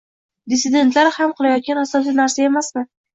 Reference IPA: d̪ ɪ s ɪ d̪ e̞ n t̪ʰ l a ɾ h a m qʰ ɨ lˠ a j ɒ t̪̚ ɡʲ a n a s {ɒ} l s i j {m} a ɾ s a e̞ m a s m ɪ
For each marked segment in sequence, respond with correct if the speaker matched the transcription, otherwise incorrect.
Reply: correct, incorrect: n

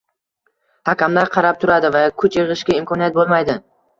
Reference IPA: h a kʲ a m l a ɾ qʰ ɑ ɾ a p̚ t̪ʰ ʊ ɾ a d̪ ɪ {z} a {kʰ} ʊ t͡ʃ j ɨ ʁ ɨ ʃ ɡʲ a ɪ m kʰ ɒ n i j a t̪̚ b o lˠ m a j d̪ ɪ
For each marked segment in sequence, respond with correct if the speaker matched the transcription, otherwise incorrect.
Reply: incorrect: v, correct

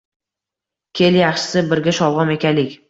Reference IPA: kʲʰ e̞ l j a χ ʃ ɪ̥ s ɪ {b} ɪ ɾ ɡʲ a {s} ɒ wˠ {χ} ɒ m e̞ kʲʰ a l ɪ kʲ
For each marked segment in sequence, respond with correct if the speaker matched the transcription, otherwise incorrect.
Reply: correct, incorrect: ʃ, incorrect: ʁ

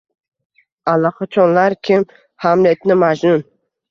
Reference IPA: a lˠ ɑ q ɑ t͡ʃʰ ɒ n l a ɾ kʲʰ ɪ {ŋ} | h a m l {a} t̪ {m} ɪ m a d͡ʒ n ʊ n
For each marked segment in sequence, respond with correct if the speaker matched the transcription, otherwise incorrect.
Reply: incorrect: m, incorrect: e, incorrect: n

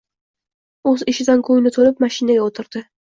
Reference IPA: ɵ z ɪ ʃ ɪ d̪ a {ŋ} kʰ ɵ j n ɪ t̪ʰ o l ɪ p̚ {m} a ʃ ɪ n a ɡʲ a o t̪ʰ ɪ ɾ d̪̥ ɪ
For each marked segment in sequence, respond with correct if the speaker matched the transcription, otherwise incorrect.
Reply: incorrect: n, correct

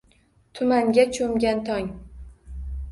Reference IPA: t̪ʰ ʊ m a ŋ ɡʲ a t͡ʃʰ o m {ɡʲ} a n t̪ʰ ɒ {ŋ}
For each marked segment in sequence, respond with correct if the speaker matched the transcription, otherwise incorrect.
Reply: correct, correct

